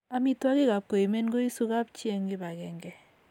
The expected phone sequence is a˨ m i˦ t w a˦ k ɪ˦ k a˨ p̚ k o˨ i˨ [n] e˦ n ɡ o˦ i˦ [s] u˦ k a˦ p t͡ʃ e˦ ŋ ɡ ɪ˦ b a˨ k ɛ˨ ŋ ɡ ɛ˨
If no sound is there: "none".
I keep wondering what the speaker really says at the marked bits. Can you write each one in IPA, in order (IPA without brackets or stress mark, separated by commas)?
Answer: m, s